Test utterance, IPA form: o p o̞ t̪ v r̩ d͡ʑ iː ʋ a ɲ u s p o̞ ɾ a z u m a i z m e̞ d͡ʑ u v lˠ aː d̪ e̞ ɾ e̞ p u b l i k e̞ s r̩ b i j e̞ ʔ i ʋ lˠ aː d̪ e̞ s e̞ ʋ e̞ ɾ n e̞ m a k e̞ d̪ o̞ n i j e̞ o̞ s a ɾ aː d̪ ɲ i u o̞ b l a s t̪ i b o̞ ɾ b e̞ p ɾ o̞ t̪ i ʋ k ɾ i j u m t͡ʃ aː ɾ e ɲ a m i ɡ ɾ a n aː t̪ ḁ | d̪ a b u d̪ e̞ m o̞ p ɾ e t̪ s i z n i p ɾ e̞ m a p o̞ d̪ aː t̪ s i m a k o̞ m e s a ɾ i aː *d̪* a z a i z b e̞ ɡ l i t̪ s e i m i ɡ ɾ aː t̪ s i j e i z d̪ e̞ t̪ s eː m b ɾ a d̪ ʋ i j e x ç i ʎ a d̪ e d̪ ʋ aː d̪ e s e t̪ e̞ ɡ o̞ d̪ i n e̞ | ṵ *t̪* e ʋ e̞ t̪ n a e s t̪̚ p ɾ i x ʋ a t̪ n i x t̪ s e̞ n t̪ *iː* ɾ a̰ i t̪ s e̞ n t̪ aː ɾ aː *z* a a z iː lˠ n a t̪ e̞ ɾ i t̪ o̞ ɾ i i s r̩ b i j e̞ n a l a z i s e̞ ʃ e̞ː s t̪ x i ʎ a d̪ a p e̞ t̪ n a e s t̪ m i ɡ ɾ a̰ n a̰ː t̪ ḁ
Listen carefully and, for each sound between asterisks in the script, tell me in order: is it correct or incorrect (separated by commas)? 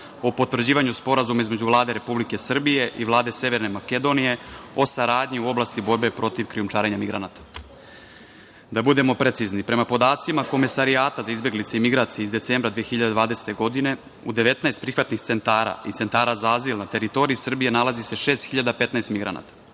incorrect, incorrect, incorrect, correct